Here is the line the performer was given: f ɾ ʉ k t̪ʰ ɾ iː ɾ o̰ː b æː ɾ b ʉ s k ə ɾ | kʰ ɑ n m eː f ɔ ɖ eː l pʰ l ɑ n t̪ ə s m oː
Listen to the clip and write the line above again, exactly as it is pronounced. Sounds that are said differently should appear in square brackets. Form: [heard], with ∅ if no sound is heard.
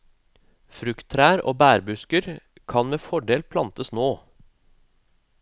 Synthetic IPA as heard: f ɾ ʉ k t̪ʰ ɾ [æː] ɾ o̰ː b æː ɾ b ʉ s k ə ɾ | kʰ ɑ n m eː f ɔ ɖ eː l pʰ l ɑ n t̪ ə s [n] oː